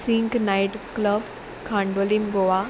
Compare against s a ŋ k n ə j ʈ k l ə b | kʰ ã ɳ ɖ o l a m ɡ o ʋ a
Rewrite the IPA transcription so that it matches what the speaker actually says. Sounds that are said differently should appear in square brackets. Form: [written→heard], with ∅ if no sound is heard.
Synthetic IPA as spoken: s [a→i] ŋ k n [ə→a] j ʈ k l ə b | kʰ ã ɳ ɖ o l [a→i] m ɡ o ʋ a